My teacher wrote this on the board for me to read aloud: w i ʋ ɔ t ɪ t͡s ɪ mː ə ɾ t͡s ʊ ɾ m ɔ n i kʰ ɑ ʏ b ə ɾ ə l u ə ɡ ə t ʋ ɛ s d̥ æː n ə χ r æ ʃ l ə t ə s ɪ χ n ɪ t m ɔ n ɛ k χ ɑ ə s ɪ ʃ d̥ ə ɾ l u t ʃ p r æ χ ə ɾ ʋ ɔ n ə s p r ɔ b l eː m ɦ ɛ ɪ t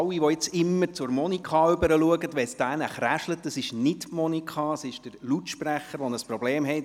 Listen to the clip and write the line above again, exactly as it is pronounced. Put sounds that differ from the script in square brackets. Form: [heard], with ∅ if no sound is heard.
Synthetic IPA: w i ʋ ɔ [∅] ɪ t͡s ɪ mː ə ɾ t͡s ʊ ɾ m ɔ n i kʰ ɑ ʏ b ə ɾ ə l u ə ɡ ə t ʋ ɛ s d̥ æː n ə χ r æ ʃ l ə t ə s ɪ [ʃ] n ɪ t m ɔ n [i] k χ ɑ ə s ɪ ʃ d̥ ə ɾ l u t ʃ p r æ χ ə ɾ ʋ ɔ n ə s p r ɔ b l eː m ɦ ɛ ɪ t